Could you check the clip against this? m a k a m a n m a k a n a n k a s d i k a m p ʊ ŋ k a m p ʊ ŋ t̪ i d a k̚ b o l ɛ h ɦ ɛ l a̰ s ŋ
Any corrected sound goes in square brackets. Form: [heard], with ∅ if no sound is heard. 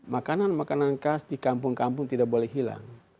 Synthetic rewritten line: m a k a [n] a n m a k a n a n k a s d i k a m p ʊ ŋ k a m p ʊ ŋ t̪ i d a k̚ b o l ɛ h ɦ [i] l a̰ [∅] ŋ